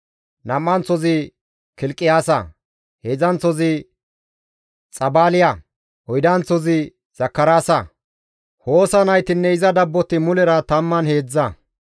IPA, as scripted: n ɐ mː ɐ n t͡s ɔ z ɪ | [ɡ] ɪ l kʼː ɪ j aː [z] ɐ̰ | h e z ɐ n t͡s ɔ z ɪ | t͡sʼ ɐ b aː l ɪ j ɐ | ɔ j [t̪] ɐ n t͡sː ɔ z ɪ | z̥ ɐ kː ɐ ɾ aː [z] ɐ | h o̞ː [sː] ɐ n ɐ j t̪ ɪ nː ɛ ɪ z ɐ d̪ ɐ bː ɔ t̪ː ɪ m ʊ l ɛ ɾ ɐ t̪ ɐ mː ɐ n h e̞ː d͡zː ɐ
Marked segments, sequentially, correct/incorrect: incorrect: k, incorrect: s, incorrect: d̪, incorrect: s, incorrect: s

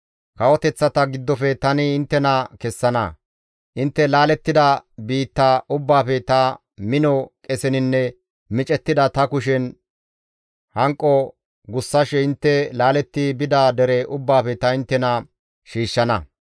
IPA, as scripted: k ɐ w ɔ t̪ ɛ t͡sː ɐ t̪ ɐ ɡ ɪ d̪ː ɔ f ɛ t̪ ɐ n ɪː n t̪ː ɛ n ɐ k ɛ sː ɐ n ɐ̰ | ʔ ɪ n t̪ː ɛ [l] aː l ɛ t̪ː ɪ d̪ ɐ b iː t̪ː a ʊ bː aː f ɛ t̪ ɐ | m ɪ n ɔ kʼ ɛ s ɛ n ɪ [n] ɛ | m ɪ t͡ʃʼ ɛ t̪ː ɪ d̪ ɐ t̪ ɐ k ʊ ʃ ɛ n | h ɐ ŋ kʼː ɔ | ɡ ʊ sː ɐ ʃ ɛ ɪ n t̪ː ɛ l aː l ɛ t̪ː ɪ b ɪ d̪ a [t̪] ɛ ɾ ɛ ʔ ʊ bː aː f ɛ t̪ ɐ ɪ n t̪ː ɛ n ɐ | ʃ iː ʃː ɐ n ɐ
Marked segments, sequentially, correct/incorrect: correct, incorrect: nː, incorrect: d̪

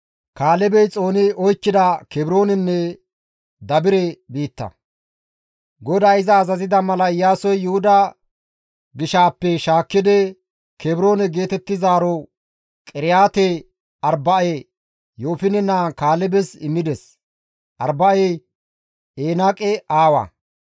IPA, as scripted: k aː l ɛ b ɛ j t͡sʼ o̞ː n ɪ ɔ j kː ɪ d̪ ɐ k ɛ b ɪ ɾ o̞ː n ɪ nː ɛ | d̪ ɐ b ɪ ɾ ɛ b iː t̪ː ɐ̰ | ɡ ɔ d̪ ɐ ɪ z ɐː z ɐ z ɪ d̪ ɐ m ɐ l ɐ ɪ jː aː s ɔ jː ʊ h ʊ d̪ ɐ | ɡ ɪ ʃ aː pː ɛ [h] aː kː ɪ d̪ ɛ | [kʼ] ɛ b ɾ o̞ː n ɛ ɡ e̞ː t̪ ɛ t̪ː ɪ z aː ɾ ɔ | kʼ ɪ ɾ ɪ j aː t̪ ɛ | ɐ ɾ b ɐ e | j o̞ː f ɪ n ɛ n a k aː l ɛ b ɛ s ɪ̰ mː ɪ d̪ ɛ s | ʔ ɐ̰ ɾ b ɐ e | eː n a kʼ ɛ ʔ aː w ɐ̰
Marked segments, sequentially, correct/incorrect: incorrect: ʃ, incorrect: k

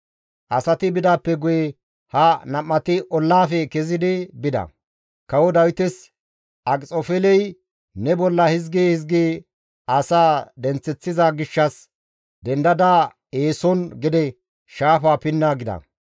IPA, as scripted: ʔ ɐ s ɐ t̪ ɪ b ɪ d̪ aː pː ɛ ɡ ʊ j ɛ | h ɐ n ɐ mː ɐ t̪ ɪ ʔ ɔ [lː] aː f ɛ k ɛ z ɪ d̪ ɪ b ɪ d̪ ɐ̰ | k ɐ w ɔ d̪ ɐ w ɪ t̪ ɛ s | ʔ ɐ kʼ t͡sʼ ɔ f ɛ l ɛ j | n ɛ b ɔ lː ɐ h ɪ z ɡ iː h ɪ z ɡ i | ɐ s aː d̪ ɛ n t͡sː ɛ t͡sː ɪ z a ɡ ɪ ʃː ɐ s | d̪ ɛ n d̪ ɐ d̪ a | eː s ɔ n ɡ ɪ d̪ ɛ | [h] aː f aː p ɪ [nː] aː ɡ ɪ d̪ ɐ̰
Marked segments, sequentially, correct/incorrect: correct, incorrect: ʃ, correct

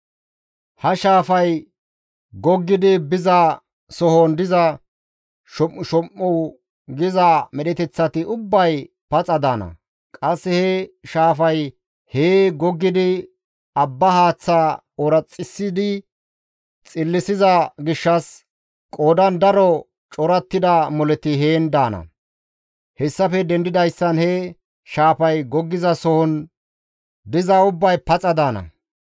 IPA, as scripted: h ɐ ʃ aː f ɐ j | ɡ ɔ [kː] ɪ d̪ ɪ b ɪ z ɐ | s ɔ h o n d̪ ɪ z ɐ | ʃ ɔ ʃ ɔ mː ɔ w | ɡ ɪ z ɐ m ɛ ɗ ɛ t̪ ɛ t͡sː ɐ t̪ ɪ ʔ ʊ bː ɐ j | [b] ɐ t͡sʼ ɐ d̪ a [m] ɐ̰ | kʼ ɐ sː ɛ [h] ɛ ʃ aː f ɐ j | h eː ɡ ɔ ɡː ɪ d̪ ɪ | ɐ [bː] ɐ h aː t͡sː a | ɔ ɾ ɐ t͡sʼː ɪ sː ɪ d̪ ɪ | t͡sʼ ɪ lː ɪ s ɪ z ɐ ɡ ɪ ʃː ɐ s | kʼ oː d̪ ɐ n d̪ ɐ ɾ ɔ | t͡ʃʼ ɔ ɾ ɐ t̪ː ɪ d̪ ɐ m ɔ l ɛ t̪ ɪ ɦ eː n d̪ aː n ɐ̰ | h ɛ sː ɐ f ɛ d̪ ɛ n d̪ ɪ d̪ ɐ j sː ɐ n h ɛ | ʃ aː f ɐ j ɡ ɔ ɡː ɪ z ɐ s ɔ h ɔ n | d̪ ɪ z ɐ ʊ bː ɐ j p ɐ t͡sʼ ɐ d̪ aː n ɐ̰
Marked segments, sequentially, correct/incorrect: incorrect: ɡː, incorrect: p, incorrect: n, correct, correct

